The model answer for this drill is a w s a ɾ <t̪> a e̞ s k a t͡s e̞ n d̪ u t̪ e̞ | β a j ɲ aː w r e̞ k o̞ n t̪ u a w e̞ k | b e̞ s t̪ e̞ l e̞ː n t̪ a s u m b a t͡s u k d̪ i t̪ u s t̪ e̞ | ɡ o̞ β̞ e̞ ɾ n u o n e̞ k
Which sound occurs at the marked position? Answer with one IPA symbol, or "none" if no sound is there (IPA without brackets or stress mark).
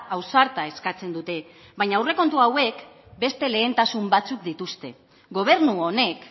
t̪